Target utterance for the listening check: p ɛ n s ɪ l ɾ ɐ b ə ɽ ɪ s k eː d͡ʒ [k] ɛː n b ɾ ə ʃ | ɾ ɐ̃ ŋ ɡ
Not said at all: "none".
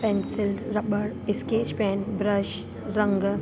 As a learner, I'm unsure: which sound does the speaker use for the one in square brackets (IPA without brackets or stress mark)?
p